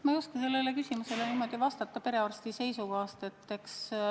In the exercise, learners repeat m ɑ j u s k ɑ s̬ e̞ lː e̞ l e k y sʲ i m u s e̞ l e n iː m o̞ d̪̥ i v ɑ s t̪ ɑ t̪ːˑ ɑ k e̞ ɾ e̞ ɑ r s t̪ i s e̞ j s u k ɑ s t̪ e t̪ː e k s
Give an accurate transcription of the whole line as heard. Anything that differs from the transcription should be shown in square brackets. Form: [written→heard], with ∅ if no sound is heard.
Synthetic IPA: m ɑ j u s k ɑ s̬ e̞ lː e̞ l e k y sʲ i m u s e̞ l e n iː m o̞ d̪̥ i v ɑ s t̪ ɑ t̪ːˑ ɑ [k→p] e̞ ɾ e̞ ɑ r s t̪ i s e̞ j s u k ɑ s t̪ e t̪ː e k s